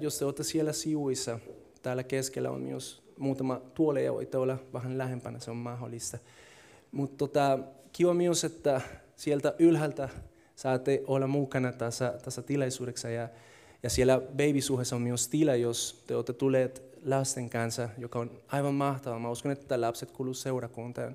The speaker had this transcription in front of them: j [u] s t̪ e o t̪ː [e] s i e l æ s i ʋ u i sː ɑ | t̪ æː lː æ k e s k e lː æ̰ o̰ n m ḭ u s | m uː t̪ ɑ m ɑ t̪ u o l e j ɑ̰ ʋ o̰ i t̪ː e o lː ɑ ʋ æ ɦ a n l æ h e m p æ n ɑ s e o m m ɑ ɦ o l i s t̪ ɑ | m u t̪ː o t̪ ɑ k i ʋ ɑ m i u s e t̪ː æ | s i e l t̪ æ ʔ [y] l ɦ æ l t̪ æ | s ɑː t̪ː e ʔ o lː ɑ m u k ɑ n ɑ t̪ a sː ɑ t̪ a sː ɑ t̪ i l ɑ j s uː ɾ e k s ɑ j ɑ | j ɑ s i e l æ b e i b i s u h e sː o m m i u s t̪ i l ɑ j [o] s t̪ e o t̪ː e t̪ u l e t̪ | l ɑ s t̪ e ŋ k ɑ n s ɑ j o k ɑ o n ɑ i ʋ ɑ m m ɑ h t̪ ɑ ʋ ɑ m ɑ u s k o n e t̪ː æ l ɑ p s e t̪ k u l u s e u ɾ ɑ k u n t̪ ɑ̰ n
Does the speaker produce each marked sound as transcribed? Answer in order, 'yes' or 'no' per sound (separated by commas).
no, yes, yes, yes